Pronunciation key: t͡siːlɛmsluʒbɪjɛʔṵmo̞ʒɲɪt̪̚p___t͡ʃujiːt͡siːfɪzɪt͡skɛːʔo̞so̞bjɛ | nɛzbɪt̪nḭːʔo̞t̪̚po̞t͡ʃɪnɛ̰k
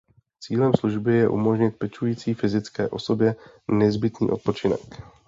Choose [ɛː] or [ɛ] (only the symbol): ɛ